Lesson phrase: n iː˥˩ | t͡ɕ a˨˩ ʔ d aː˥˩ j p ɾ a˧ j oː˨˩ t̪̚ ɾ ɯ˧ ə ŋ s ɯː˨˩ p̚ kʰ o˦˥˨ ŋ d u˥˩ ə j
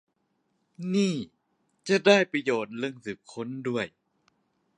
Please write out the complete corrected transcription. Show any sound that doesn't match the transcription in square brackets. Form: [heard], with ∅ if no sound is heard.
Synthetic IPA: n iː˥˩ | t͡ɕ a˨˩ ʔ d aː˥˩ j p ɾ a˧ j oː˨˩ t̪̚ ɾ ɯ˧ ə ŋ s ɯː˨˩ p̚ kʰ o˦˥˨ [n] d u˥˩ ə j